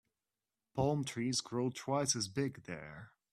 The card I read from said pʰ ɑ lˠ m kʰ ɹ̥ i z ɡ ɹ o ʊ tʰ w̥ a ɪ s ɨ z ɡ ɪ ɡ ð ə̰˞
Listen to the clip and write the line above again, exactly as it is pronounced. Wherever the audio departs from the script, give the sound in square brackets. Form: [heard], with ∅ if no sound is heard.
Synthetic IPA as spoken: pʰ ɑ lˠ m [tʰ] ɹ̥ i z ɡ ɹ o ʊ tʰ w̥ a ɪ s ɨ z [b] ɪ ɡ ð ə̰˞